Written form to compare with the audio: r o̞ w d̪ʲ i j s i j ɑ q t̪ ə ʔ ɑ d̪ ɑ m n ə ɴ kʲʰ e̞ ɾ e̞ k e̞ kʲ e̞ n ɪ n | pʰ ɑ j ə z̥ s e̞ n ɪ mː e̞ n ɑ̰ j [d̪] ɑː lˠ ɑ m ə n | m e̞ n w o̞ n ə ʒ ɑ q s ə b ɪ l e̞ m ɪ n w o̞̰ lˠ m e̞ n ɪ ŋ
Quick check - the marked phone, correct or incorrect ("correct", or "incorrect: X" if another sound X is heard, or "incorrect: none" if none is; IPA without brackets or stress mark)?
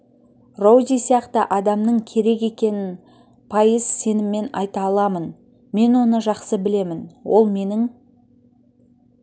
incorrect: t̪